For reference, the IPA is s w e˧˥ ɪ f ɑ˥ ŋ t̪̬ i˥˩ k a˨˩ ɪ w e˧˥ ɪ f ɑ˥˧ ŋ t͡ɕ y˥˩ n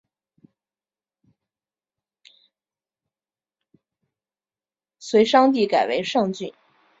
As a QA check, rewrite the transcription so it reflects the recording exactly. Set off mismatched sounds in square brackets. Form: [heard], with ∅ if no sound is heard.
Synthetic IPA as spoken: s w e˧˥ ɪ [ʂ] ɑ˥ ŋ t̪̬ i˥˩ k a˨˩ ɪ w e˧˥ ɪ [ʂ] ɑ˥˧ ŋ t͡ɕ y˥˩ n